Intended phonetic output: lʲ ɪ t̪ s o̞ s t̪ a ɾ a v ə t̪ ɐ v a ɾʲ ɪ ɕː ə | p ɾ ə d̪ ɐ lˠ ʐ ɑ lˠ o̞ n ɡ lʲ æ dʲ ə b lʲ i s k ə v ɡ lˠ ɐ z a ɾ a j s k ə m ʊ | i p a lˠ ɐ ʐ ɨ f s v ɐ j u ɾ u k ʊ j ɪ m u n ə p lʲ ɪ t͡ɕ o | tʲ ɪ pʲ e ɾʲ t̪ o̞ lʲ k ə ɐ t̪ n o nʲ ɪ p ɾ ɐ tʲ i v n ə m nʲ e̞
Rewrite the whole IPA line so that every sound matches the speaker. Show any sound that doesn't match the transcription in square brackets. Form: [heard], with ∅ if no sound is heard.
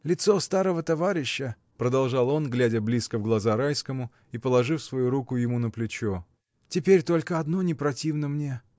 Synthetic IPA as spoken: lʲ ɪ t̪ s o̞ s t̪ a ɾ [ə] v ə t̪ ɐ v a ɾʲ ɪ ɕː ə | p ɾ ə d̪ ɐ lˠ ʐ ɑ lˠ o̞ n ɡ lʲ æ dʲ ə b lʲ i s k ə v ɡ lˠ ɐ z a ɾ a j s k ə m ʊ | i p [ə] lˠ ɐ ʐ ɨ f s v ɐ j u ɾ u k ʊ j ɪ m u n ə p lʲ ɪ t͡ɕ o | tʲ ɪ pʲ e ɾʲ t̪ o̞ lʲ k ə ɐ [d̪] n o nʲ ɪ p ɾ ɐ tʲ i v n ə m nʲ e̞